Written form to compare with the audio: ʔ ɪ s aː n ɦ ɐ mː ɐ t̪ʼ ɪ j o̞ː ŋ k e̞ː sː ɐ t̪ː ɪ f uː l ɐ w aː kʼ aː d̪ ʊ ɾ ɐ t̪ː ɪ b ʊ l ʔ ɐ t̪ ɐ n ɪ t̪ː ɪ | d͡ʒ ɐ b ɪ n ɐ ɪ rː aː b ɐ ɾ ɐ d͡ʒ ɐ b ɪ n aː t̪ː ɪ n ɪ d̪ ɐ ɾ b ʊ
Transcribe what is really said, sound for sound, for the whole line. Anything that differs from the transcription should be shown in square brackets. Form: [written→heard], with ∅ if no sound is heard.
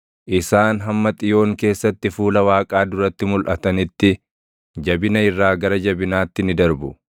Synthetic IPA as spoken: ʔ ɪ s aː n ɦ ɐ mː ɐ t̪ʼ ɪ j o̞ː ŋ k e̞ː sː ɐ t̪ː ɪ f uː l ɐ w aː kʼ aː d̪ ʊ ɾ ɐ t̪ː ɪ [b→m] ʊ l ʔ ɐ t̪ ɐ n ɪ t̪ː ɪ | d͡ʒ ɐ b ɪ n ɐ ɪ rː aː [b→ɡ] ɐ ɾ ɐ d͡ʒ ɐ b ɪ n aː t̪ː ɪ n ɪ d̪ ɐ ɾ b ʊ